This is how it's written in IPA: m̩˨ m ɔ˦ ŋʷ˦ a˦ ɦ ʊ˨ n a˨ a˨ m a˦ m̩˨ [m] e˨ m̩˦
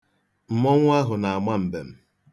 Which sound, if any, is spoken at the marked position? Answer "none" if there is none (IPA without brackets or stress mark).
b